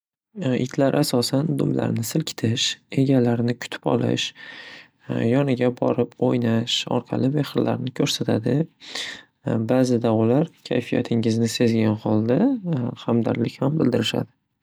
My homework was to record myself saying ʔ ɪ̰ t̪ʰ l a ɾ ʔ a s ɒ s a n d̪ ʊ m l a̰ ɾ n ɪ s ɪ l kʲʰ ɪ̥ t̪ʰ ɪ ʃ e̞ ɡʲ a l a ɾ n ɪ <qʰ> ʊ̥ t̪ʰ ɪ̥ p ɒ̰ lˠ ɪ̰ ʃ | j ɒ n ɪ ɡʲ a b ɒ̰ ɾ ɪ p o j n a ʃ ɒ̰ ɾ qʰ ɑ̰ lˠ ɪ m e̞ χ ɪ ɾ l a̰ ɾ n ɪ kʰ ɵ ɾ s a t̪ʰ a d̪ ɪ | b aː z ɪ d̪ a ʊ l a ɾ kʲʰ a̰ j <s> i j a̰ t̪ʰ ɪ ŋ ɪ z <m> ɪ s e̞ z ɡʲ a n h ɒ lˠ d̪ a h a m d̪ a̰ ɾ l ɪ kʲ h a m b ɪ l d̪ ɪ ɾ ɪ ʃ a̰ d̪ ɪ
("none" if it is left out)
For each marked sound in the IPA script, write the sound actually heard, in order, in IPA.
kʰ, f, n

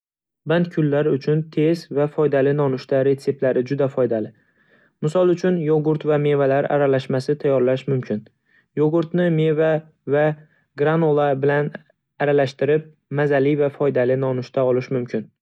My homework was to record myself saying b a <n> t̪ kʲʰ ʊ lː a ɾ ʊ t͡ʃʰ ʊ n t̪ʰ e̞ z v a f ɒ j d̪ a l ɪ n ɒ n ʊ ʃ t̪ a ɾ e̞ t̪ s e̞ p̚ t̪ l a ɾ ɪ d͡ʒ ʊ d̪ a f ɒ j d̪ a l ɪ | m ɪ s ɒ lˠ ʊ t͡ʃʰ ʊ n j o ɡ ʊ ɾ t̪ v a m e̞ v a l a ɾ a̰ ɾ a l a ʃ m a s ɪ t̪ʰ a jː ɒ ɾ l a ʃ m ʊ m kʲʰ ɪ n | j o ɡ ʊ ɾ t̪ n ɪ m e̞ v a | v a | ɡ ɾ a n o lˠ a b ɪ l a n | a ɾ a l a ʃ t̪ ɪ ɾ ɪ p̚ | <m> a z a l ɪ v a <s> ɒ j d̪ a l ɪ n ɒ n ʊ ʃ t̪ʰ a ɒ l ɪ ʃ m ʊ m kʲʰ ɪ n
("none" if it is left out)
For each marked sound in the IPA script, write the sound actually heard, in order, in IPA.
n, m, f

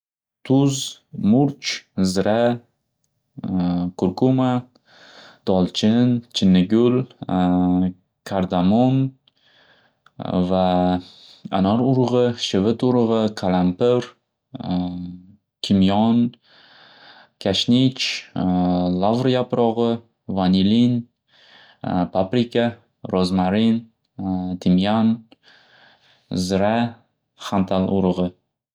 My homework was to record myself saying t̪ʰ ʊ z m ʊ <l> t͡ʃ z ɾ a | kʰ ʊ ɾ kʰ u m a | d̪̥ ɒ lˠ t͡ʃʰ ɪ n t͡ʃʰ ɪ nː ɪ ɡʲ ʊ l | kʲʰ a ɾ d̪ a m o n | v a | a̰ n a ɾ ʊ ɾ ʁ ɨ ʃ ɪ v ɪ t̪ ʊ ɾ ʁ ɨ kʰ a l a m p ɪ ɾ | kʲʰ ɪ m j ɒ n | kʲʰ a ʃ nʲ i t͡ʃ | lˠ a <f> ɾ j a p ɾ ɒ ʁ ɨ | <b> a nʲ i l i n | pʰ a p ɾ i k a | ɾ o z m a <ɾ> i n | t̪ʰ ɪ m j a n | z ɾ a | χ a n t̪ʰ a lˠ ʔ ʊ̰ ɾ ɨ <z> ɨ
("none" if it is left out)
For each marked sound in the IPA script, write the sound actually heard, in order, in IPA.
ɾ, v, v, ɾ, ʁ

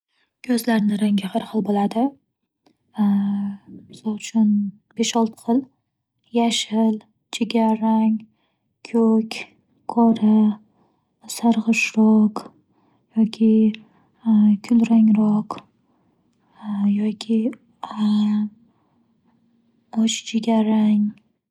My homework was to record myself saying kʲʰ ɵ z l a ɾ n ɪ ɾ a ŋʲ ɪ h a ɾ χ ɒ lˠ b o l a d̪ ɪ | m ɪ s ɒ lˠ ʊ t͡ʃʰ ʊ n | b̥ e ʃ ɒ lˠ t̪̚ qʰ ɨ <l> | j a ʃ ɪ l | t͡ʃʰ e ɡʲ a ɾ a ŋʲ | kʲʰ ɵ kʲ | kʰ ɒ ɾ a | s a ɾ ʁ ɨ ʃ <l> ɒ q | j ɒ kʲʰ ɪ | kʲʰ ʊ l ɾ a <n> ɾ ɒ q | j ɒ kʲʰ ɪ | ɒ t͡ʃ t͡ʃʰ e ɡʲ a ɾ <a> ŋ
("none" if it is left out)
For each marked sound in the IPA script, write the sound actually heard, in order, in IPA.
l, ɾ, ŋ, a

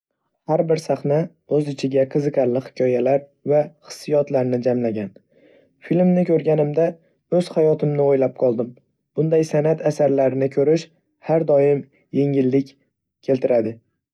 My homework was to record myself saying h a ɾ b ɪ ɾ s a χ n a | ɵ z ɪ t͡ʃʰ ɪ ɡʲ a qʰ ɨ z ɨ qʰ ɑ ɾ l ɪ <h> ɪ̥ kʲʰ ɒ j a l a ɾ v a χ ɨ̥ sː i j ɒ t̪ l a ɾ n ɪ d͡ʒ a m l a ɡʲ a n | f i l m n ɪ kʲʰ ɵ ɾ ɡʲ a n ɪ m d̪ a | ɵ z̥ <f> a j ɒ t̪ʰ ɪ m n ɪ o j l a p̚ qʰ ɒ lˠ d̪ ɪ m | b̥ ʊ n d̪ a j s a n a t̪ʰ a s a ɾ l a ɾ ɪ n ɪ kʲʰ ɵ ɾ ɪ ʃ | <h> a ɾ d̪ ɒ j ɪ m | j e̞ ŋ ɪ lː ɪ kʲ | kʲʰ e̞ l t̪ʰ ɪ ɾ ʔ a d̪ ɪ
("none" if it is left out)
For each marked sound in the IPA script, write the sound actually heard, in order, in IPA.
h, h, h

